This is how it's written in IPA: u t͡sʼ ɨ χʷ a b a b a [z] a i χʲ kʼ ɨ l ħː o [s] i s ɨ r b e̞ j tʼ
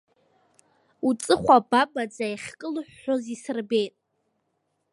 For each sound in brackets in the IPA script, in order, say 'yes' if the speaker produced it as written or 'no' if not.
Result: no, no

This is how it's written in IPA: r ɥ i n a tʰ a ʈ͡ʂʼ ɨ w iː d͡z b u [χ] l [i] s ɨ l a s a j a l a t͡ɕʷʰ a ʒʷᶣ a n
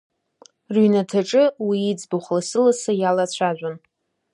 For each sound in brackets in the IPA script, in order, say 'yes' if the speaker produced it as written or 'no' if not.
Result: yes, no

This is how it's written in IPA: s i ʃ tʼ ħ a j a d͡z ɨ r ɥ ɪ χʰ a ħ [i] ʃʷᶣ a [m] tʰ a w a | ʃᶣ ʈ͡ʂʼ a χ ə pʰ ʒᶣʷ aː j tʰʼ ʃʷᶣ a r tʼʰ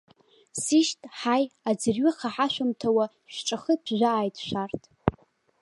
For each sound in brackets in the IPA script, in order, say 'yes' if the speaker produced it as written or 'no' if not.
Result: no, yes

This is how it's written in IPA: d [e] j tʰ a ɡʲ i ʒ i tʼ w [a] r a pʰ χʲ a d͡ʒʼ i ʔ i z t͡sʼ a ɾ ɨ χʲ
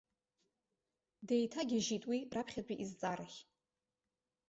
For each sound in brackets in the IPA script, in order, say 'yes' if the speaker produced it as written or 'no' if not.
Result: yes, no

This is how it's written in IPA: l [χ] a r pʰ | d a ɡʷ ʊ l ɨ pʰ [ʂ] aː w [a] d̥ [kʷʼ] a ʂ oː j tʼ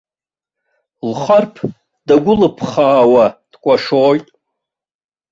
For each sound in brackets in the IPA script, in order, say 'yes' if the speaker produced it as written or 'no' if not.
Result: yes, no, yes, yes

